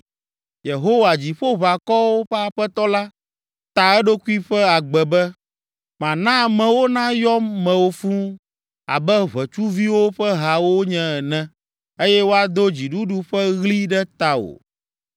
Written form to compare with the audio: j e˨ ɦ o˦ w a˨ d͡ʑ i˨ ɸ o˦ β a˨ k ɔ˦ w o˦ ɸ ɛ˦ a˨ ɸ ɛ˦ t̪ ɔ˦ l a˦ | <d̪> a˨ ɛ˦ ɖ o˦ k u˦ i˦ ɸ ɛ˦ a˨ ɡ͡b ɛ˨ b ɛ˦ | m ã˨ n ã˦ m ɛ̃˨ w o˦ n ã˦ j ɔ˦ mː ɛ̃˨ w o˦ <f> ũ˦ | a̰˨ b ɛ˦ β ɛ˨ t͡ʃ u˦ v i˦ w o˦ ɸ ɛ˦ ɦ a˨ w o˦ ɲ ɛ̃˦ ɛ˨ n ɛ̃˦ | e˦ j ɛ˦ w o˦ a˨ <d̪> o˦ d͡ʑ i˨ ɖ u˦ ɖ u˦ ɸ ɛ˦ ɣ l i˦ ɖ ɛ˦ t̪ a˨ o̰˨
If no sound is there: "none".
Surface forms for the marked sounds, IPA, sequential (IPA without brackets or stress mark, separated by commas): t̪, f, d̪